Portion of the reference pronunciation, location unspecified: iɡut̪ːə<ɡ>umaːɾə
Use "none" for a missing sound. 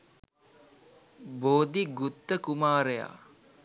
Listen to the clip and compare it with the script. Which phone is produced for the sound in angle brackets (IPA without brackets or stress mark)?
k